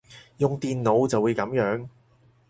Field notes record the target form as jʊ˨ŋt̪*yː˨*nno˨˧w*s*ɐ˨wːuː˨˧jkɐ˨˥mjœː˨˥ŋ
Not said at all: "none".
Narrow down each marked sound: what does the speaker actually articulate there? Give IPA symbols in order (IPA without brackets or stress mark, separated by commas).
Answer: iː˨, t͡s